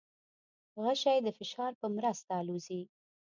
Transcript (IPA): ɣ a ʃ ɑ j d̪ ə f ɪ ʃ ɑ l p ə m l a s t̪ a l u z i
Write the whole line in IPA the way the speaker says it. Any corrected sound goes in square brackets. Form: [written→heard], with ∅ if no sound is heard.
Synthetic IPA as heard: ɣ a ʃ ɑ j d̪ ə f ɪ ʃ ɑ [l→ɾ] p ə m [l→ɾ] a s t̪ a l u z i

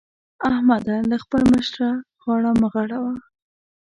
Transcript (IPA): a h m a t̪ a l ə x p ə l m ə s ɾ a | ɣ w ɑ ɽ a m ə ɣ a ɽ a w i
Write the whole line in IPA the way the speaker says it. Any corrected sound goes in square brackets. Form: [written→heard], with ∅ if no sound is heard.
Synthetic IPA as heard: a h m a [t̪→d̪] a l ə x p ə l m ə [s→ʃ] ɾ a | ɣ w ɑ ɽ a m ə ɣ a ɽ a w [i→a]

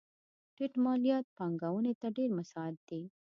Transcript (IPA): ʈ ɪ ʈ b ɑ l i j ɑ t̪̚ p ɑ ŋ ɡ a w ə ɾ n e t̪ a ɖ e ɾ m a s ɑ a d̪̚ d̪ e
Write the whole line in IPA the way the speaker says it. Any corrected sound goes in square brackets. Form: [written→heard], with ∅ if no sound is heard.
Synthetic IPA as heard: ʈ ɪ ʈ [b→m] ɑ l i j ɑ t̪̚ p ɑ ŋ ɡ a w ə [ɾ→∅] n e t̪ a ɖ e ɾ m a s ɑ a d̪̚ d̪ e

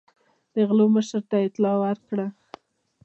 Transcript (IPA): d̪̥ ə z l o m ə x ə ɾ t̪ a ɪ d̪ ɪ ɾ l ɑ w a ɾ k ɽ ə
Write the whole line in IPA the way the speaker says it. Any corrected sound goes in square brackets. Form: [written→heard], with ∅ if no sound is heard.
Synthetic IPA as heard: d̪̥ ə [z→ɣ] l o m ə [x→ʃ] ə ɾ t̪ a ɪ [d̪→t̪] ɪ [ɾ→∅] l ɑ w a ɾ k ɽ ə

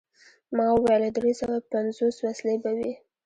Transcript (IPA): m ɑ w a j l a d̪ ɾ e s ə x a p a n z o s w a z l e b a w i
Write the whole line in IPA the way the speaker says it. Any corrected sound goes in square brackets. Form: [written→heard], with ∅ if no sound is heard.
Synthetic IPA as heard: m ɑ w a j l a d̪ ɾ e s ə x a p a n z o s w a [z→s] l e b a w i

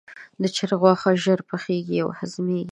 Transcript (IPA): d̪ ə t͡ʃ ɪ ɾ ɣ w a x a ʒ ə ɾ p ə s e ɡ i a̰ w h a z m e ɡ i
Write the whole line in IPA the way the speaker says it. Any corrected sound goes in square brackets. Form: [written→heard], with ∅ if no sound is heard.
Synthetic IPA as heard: d̪ ə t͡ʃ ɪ ɾ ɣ w [a→ɑ] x a ʒ ə ɾ p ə [s→x] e ɡ i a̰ w h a z m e ɡ i

